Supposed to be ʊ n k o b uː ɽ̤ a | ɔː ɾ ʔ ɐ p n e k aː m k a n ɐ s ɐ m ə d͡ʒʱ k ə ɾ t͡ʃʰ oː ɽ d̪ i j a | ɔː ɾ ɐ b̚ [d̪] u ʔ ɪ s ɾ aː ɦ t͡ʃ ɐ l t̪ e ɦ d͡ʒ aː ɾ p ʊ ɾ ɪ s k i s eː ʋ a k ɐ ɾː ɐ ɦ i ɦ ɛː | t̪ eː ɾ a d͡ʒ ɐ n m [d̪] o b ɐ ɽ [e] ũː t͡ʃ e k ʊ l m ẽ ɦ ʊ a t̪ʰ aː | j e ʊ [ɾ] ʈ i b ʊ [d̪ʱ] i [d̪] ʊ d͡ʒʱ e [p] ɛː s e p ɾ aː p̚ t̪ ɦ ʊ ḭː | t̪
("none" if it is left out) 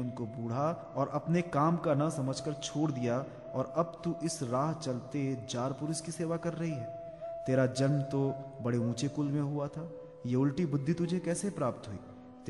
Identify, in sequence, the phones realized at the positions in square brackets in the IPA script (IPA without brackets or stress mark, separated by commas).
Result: t̪, t̪, e, l, d̪ʱː, t̪, k